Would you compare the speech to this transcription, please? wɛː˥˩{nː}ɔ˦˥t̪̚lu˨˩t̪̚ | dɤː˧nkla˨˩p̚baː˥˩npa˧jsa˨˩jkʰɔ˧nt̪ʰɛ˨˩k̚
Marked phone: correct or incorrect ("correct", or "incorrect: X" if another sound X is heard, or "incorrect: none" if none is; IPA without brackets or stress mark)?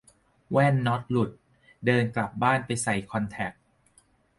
correct